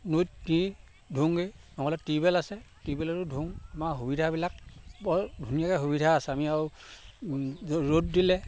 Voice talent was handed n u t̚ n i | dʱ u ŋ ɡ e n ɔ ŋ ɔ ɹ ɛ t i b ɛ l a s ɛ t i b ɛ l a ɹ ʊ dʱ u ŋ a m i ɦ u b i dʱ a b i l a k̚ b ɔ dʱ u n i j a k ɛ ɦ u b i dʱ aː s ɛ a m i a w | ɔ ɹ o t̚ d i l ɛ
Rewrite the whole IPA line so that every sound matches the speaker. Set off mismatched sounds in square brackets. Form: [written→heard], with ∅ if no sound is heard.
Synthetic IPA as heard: n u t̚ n i | dʱ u ŋ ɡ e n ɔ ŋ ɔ [ɹ→l] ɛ t i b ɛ l a s ɛ t i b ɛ l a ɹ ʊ dʱ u ŋ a m [i→a] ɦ u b i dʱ a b i l a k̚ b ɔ dʱ u n i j a k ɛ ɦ u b i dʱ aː s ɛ a m i a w | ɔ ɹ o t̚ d i l ɛ